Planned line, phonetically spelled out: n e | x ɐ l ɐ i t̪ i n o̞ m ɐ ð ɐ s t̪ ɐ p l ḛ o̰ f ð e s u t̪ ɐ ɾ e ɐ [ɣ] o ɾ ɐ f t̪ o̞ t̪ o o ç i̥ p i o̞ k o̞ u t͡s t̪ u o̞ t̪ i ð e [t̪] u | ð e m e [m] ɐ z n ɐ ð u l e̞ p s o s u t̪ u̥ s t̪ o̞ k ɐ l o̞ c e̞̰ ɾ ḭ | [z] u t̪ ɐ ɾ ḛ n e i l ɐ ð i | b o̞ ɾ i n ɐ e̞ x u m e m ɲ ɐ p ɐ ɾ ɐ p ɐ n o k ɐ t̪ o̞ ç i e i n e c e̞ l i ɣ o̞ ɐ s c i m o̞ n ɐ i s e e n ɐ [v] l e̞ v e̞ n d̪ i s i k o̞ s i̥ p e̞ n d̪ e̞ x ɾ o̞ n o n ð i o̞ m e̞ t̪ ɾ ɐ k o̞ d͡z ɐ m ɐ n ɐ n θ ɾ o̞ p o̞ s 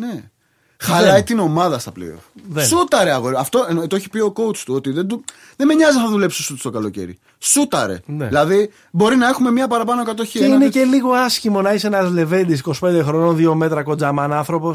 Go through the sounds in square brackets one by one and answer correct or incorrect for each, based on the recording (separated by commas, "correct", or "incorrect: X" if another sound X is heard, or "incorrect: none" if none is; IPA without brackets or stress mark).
correct, incorrect: d̪, incorrect: ɲ, incorrect: s, incorrect: z